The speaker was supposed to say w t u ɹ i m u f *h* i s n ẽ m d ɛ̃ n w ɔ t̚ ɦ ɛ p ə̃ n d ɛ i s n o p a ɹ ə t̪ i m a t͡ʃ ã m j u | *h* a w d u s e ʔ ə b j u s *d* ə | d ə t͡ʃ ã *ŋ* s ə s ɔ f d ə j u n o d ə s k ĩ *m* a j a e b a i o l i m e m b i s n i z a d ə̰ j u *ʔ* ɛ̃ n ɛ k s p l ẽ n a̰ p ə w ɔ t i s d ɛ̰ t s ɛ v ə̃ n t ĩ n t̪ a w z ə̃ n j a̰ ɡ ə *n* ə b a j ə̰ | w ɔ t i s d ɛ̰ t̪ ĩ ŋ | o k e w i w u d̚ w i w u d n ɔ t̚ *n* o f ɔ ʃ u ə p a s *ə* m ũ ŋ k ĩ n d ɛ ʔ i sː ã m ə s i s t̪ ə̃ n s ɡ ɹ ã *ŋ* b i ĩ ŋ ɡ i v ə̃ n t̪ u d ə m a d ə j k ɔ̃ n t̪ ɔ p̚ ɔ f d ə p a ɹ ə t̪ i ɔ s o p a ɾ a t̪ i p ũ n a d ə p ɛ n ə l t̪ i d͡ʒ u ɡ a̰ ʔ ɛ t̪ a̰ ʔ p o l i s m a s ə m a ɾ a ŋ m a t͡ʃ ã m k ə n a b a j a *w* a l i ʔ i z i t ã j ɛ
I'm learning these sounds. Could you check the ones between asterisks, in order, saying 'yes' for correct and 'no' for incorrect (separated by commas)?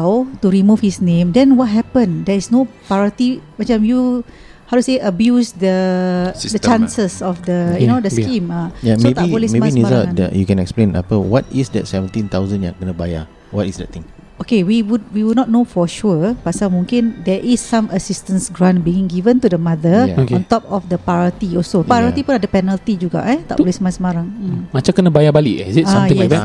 yes, yes, yes, no, yes, no, yes, yes, no, no, no